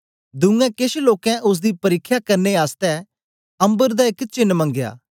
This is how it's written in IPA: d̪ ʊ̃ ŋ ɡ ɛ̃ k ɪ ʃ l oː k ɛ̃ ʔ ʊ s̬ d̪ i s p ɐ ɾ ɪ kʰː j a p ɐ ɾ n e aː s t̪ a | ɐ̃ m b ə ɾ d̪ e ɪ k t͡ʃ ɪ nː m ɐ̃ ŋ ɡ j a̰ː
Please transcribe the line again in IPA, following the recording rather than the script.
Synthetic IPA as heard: d̪ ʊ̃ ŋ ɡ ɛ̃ k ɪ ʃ l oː k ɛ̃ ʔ ʊ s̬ d̪ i p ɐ ɾ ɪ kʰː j a k ɐ ɾ n e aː s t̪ ɛ | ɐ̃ m b ə ɾ d̪ a ɪ k t͡ʃ ɪ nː m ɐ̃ ŋ ɡ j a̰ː